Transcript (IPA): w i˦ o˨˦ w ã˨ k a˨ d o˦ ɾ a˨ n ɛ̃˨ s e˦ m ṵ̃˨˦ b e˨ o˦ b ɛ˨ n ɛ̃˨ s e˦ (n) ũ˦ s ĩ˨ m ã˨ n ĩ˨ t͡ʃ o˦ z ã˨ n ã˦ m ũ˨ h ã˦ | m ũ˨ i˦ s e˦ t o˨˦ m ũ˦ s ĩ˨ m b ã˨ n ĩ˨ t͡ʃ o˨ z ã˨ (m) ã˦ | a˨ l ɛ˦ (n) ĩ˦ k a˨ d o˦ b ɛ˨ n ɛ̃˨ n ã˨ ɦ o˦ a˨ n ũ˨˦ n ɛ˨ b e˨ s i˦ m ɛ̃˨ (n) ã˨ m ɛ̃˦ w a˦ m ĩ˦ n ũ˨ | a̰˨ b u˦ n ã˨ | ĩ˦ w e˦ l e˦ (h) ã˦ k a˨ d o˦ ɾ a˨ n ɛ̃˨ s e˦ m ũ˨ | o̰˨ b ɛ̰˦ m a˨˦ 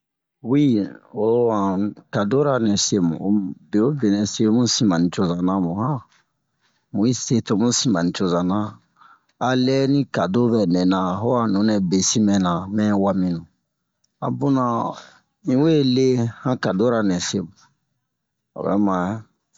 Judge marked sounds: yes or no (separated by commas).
no, no, yes, yes, yes